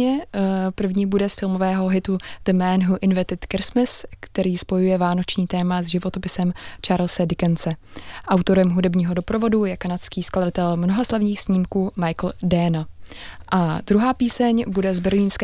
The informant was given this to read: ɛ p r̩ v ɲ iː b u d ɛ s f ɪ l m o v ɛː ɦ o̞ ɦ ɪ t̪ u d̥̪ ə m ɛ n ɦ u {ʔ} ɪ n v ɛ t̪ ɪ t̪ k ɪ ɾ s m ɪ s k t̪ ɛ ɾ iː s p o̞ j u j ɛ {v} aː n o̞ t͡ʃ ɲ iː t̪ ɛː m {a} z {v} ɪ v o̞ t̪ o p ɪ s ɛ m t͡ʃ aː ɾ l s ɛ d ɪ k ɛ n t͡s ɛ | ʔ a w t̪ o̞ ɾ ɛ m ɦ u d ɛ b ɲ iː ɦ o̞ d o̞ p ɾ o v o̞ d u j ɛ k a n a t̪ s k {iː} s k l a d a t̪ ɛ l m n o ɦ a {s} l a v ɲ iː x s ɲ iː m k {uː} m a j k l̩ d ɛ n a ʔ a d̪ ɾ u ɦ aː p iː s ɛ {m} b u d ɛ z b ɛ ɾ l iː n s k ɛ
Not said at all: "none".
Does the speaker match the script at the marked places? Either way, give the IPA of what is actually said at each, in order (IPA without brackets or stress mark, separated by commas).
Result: ʔ, v, a, ʒ, iː, s, uː, ɲ